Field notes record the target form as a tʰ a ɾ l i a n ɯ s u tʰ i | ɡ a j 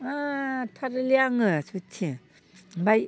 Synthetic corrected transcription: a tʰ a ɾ l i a ŋ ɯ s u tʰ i | b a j